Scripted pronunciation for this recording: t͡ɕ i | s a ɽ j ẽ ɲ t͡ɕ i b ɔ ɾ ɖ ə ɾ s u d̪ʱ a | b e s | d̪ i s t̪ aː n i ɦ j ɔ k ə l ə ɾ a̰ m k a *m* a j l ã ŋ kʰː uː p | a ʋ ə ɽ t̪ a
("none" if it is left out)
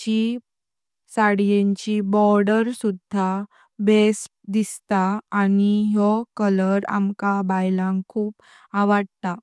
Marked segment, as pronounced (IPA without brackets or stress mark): b